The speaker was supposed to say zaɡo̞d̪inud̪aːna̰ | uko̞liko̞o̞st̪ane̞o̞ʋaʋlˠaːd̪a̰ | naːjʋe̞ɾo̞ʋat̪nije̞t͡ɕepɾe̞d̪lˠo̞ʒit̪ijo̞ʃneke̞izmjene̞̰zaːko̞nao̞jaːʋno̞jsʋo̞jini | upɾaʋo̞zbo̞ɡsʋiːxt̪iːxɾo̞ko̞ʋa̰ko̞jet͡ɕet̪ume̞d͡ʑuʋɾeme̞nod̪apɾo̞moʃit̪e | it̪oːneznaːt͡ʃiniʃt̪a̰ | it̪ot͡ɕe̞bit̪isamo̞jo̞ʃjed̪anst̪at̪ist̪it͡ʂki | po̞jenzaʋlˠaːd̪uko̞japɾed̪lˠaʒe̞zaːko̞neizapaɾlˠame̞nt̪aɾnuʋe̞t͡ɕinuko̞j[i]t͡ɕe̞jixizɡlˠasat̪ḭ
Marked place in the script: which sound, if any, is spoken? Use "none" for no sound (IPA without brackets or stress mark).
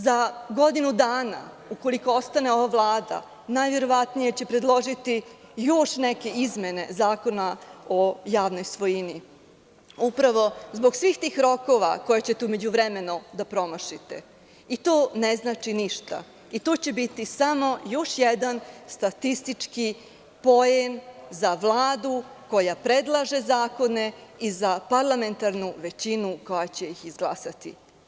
a